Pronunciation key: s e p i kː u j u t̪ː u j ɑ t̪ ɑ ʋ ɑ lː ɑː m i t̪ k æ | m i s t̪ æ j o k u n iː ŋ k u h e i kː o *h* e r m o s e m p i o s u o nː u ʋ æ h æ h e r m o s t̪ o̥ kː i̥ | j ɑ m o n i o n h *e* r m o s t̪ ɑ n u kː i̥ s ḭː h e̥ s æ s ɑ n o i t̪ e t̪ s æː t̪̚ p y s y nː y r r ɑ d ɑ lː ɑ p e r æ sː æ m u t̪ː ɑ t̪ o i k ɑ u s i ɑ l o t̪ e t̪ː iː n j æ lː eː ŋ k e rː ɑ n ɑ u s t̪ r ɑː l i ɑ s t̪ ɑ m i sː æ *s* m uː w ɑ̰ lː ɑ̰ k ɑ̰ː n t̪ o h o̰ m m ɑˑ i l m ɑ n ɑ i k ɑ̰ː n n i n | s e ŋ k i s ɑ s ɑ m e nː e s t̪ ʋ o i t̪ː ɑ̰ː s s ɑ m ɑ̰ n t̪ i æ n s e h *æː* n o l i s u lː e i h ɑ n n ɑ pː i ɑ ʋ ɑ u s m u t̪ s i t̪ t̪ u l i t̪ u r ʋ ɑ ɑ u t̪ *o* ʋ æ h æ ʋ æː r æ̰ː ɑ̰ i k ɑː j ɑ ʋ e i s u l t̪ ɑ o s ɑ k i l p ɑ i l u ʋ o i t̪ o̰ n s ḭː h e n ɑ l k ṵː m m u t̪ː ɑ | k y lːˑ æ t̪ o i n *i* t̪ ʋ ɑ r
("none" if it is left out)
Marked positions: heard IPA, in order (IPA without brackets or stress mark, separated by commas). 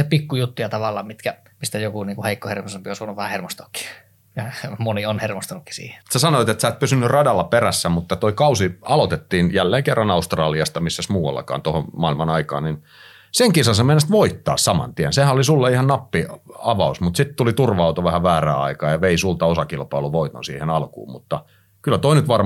h, e, s, æ, o, y